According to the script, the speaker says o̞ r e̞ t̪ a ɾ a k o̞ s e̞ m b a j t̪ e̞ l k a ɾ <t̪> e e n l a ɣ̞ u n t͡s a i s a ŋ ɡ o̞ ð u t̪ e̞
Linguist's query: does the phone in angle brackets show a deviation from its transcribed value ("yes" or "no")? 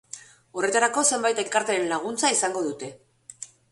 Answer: no